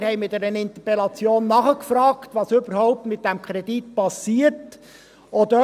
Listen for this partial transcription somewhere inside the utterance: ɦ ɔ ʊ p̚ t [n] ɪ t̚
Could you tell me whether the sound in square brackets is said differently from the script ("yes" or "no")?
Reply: yes